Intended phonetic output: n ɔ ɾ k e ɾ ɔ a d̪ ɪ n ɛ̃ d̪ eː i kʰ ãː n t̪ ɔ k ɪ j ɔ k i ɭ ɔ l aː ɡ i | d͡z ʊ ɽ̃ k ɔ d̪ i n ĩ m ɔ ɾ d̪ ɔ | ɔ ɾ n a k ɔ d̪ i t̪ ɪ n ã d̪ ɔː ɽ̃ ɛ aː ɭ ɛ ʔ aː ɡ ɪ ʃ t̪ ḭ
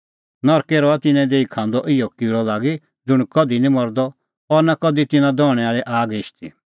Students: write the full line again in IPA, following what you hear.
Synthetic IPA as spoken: n ɔ ɾ k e ɾ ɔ a t̪ ɪ n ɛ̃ d̪ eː i kʰ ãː n d̪ ɔ ʔ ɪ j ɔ k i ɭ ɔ l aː ɡ i | d͡z ʊ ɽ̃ k ɔ d̪ i n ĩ m ɔ ɾ d̪ ɔ | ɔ ɾ n a k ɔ d̪ i t̪ ɪ n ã d̪ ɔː ɽ̃ ɛ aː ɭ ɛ ʔ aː ɡ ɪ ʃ t̪ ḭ